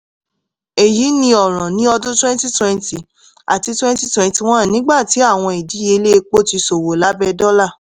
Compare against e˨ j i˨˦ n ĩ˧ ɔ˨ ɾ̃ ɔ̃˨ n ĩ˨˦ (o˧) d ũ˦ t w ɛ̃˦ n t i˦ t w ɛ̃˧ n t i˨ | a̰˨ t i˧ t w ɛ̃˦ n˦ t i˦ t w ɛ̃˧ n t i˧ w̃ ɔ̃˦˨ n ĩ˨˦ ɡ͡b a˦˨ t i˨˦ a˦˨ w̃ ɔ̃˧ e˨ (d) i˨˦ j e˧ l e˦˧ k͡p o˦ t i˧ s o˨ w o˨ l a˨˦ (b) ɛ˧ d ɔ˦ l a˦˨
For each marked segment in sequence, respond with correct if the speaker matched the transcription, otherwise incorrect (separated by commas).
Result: incorrect, correct, correct